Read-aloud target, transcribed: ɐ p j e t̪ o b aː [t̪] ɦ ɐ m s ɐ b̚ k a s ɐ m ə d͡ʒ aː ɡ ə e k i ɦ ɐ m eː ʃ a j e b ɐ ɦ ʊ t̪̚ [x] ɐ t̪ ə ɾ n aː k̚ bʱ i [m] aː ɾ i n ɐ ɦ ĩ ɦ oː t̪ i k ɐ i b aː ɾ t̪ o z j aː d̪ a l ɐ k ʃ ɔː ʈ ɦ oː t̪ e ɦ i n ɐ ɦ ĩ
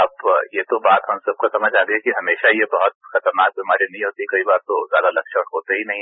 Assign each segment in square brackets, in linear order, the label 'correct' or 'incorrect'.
correct, correct, correct

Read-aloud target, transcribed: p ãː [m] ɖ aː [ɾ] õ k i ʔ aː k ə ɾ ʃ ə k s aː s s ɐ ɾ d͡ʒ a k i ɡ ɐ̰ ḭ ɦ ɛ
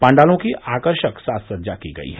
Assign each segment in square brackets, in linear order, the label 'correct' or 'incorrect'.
incorrect: ɳ, incorrect: l

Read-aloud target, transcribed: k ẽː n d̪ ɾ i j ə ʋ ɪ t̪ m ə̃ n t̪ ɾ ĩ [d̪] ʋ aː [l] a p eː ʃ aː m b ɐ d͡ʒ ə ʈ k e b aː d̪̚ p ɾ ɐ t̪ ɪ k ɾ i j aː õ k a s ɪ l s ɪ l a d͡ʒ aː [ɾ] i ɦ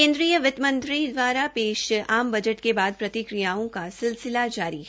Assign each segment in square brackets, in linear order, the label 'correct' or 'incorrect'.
correct, incorrect: ɾ, correct

